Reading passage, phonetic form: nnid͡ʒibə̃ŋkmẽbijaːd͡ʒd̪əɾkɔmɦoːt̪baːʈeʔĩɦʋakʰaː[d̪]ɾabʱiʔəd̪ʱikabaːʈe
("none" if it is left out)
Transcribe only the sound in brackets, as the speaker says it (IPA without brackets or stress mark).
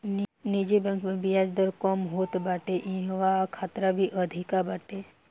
t̪